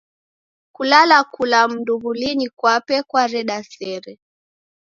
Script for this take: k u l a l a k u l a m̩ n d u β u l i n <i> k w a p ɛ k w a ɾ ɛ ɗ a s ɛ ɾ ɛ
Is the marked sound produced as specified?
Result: yes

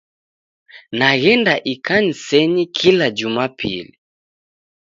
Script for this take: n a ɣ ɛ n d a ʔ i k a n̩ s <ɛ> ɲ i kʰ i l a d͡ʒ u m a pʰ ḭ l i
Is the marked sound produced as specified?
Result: yes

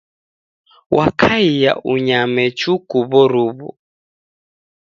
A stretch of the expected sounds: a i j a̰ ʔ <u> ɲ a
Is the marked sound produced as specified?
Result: yes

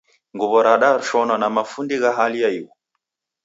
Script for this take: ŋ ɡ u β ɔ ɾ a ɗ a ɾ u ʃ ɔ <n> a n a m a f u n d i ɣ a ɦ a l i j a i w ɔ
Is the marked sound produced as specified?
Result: yes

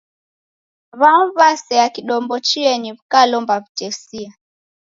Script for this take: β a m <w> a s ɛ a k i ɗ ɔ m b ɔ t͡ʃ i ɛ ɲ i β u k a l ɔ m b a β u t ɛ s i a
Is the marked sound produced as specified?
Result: no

